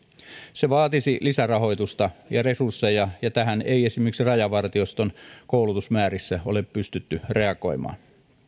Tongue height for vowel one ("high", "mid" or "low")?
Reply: mid